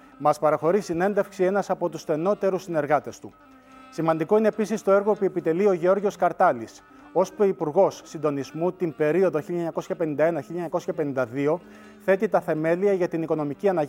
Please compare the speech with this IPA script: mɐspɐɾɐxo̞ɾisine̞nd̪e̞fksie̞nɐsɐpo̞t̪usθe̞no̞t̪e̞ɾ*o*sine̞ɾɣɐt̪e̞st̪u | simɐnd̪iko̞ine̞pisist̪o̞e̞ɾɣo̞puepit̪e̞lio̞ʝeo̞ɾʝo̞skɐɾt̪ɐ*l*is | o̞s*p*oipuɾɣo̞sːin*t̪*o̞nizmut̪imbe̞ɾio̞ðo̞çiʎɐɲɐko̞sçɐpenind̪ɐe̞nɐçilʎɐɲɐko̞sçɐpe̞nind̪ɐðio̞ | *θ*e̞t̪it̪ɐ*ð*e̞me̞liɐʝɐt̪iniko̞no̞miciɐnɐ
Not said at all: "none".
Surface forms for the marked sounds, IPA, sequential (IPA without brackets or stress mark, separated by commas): u, l, p, d̪, θ, θ